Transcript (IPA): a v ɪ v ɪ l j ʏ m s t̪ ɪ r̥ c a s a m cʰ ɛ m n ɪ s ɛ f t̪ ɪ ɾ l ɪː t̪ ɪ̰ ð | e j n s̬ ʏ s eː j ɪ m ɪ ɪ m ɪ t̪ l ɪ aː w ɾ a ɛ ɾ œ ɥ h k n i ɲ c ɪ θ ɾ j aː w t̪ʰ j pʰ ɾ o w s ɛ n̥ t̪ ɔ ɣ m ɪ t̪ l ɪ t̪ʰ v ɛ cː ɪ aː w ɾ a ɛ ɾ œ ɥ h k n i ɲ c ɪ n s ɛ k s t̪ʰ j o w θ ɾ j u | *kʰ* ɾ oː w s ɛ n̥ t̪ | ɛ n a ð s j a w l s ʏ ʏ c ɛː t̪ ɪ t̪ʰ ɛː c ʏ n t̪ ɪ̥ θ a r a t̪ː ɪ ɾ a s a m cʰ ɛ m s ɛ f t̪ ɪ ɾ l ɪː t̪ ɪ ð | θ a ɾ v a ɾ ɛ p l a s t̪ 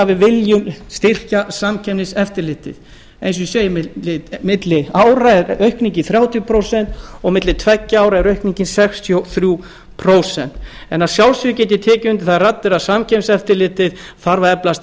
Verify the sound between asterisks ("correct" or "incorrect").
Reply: incorrect